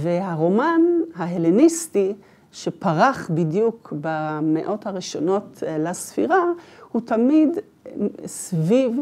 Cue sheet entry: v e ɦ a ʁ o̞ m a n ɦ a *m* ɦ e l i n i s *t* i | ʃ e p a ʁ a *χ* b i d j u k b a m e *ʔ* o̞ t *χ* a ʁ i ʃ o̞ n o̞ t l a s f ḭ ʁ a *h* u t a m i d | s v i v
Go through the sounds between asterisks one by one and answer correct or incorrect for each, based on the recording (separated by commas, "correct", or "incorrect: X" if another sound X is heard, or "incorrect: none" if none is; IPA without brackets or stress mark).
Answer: incorrect: none, correct, correct, correct, incorrect: h, correct